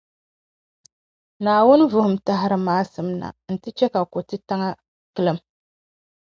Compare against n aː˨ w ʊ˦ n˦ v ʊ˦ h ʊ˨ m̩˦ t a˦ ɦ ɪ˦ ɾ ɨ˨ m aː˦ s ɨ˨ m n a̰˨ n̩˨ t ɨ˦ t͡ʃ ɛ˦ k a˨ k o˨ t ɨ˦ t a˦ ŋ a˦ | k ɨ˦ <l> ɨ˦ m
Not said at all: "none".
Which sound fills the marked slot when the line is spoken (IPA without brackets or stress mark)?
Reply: l